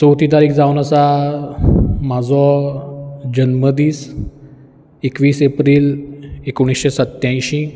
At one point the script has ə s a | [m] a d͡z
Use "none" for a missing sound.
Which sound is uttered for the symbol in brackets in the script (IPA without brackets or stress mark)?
m